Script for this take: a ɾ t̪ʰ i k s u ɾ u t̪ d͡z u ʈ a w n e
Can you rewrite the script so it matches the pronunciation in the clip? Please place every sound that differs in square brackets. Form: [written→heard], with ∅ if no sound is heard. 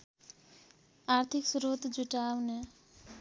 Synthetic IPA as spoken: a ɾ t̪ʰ i k s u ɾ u t̪ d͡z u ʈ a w n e